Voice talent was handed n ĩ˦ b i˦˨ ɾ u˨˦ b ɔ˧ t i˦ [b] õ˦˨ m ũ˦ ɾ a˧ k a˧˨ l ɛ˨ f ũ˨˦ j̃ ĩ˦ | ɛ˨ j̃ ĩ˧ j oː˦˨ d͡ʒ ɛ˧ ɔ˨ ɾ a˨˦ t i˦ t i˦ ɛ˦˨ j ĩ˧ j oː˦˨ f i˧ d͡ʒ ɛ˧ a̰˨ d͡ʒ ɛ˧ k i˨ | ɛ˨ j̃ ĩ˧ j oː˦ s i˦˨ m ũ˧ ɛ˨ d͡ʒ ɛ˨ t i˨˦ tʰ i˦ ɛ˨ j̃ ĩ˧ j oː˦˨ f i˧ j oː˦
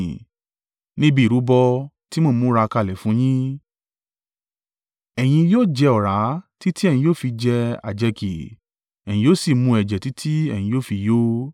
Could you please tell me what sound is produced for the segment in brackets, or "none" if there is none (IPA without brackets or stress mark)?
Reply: m